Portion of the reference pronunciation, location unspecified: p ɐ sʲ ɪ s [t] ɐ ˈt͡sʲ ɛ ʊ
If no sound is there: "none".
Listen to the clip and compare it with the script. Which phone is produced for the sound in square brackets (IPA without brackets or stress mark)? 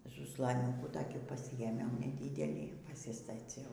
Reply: t